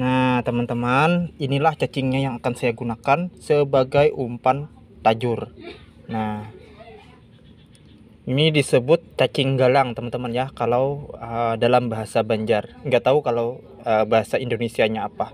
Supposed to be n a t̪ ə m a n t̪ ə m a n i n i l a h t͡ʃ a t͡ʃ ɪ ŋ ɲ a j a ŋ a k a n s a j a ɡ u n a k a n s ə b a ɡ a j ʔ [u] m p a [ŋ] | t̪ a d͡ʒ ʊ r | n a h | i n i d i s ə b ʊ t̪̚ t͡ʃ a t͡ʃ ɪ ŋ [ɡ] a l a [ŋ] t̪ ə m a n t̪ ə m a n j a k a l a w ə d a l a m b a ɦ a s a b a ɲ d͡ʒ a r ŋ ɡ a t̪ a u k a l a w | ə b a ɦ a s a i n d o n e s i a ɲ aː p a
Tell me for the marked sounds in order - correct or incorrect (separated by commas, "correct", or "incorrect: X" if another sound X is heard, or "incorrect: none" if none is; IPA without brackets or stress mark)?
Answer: correct, incorrect: n, correct, correct